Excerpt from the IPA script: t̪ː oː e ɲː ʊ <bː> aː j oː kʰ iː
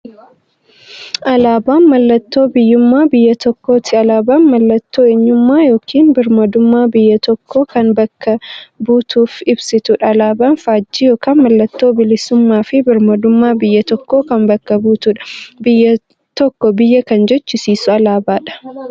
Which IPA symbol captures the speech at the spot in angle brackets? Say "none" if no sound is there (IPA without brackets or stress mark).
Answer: mː